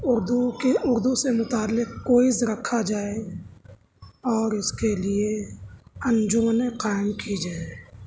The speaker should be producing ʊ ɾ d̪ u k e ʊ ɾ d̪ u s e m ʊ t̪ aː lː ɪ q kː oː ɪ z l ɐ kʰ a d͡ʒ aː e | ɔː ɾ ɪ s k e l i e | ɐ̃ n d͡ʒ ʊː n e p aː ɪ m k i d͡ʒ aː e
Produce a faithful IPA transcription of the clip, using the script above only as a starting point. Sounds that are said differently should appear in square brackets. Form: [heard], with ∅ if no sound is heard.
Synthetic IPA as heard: ʊ ɾ d̪ u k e ʊ ɾ d̪ u s e m ʊ t̪ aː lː ɪ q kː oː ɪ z [ɾ] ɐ kʰ a d͡ʒ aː e | ɔː ɾ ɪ s k e l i e | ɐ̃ n d͡ʒ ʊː n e [q] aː ɪ m k i d͡ʒ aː e